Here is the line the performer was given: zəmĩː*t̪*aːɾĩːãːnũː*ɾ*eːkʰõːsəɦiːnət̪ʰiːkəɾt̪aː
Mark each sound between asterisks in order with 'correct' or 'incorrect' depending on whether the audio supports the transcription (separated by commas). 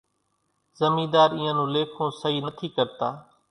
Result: incorrect, incorrect